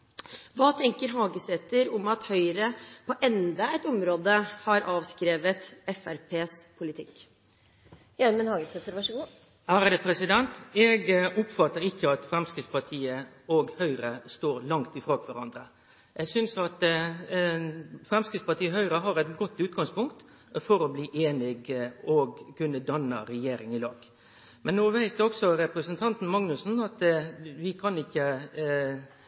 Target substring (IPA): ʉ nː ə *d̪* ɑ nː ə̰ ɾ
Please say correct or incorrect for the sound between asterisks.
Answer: correct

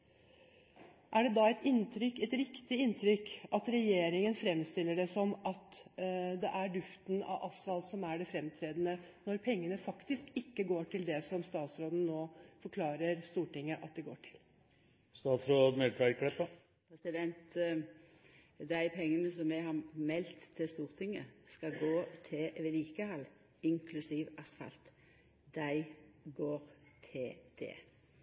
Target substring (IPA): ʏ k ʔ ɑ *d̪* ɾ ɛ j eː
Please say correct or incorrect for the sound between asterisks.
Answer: incorrect: t̪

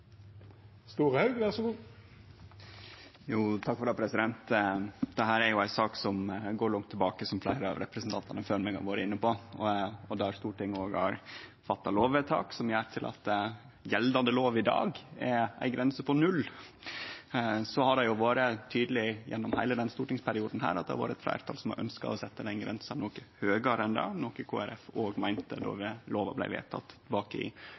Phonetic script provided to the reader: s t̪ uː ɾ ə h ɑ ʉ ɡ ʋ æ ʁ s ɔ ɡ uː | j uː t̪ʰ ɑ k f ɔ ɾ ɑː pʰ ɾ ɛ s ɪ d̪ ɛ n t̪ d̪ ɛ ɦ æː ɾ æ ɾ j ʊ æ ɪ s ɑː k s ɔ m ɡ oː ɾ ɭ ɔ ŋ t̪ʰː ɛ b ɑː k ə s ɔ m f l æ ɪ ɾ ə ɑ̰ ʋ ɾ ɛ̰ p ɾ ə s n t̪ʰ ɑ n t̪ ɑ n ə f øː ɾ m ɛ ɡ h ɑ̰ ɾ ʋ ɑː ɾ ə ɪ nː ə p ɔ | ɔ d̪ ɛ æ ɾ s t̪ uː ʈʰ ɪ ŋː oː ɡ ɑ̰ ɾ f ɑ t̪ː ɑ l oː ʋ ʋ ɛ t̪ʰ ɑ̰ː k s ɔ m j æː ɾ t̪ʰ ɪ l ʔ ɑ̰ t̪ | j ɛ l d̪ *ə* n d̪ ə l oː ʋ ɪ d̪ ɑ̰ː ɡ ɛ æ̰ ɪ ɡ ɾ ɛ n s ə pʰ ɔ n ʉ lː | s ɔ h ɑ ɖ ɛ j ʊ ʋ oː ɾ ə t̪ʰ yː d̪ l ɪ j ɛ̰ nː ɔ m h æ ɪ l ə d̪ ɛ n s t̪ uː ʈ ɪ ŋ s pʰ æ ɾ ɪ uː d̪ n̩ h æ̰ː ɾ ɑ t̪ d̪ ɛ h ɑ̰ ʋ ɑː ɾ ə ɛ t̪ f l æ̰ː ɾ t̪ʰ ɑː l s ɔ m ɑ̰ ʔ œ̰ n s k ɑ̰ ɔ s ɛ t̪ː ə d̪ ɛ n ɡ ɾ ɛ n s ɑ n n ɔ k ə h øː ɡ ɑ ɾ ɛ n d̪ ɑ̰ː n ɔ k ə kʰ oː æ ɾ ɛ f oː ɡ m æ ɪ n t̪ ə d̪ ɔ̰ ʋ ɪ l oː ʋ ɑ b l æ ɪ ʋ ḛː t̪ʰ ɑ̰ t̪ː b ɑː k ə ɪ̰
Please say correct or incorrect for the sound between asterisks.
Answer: incorrect: ɑ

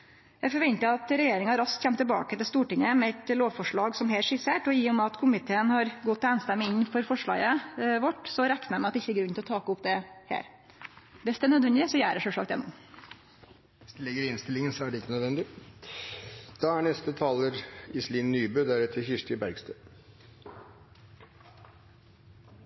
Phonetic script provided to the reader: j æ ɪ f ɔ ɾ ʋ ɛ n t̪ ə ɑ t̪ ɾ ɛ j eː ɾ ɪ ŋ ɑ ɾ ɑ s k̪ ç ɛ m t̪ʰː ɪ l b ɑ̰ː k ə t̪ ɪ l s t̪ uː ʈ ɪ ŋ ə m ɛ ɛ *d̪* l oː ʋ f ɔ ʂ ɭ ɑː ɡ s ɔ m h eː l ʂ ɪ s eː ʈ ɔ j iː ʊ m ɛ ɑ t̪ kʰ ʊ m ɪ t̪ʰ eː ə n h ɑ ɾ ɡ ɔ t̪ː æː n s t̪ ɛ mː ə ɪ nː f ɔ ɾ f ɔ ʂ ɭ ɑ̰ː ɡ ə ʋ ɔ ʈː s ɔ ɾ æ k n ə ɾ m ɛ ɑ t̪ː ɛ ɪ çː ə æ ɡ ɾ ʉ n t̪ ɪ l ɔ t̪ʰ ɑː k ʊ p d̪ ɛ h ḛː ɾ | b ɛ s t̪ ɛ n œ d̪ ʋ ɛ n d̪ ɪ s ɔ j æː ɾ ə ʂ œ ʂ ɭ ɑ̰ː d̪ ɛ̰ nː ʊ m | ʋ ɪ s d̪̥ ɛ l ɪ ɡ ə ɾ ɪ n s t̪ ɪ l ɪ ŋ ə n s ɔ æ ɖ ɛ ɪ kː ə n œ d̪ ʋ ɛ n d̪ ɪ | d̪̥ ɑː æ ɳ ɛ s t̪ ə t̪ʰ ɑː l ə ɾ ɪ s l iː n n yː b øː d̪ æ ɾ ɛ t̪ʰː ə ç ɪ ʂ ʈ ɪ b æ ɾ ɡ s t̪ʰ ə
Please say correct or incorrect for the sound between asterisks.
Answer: incorrect: t̪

